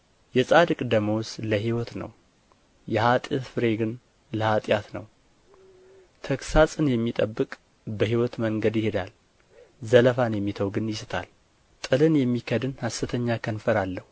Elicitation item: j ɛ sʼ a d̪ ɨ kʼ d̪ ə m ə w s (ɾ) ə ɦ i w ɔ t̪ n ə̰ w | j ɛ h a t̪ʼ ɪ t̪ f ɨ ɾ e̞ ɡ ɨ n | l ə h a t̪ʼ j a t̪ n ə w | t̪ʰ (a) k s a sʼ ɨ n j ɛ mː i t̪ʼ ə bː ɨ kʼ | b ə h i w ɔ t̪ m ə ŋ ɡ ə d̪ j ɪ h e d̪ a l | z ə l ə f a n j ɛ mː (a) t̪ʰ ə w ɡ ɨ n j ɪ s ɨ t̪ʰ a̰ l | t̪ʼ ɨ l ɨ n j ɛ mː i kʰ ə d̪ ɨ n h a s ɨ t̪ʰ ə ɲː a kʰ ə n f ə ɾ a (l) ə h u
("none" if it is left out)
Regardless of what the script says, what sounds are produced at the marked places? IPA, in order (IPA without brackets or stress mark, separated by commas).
l, ə, i, lː